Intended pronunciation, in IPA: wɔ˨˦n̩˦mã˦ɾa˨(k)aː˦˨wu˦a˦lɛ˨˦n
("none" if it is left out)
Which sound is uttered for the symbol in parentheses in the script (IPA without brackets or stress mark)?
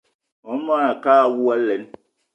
k